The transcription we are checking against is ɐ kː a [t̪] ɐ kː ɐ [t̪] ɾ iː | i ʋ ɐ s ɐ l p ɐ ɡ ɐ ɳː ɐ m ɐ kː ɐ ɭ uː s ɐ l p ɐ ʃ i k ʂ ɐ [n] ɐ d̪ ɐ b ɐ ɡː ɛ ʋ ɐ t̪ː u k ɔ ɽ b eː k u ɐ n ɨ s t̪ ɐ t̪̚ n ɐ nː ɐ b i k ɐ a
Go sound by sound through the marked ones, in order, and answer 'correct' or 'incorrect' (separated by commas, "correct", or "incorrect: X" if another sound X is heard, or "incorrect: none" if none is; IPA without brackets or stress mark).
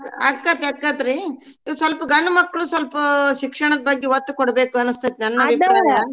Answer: correct, correct, incorrect: ɳ